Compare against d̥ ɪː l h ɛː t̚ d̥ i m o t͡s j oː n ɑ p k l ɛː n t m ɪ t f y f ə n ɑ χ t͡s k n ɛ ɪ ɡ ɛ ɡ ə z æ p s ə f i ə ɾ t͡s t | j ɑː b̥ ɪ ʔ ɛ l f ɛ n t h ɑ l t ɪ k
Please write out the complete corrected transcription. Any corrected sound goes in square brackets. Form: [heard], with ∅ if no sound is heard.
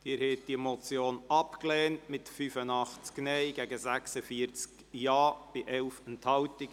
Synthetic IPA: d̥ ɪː [ɾ] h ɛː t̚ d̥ i m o t͡s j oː n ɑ p k l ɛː n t m ɪ t f y f ə n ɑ χ t͡s k n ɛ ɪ ɡ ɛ ɡ ə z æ [k] s ə f i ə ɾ t͡s [k] | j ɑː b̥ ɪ ʔ ɛ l f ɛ n t h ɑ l t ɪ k